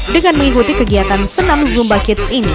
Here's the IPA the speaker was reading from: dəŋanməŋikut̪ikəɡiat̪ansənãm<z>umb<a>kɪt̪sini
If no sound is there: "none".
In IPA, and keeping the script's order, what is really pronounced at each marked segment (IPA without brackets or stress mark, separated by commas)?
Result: z, a